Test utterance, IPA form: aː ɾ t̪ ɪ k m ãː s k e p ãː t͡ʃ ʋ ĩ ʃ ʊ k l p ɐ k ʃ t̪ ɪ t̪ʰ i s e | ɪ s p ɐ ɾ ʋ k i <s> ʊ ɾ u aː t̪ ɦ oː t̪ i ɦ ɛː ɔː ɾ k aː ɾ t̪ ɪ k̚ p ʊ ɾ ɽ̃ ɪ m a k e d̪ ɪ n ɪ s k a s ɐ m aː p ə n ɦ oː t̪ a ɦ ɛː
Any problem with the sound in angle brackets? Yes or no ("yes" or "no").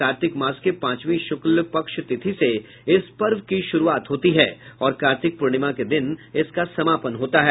yes